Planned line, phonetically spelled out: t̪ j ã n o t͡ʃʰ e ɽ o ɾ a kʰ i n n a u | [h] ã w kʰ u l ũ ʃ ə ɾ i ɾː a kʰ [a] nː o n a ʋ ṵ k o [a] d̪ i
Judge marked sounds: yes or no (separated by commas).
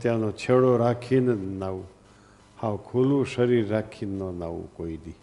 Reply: yes, no, no